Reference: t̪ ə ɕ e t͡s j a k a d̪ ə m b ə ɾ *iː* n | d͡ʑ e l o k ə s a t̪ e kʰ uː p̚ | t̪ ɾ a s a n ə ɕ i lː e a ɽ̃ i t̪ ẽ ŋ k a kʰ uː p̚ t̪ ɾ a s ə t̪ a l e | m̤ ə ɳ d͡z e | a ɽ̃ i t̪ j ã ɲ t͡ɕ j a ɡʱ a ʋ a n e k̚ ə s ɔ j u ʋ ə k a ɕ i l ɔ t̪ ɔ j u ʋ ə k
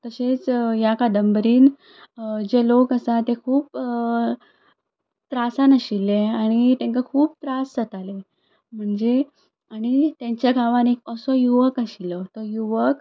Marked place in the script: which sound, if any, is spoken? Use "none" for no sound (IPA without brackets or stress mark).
iː